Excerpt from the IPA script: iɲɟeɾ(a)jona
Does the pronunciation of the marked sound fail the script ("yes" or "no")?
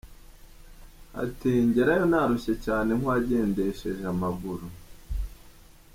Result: no